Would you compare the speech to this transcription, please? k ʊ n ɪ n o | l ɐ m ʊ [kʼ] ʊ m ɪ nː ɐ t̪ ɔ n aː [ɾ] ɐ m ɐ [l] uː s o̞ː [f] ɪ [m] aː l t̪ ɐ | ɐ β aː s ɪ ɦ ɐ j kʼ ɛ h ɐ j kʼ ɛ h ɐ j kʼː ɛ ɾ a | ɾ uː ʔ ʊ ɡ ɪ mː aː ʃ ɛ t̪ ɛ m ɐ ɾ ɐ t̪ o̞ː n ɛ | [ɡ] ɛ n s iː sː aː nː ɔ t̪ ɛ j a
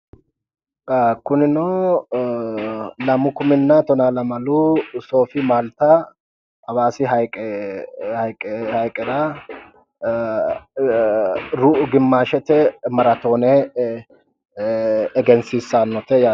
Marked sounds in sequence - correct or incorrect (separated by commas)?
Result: incorrect, incorrect, correct, correct, correct, correct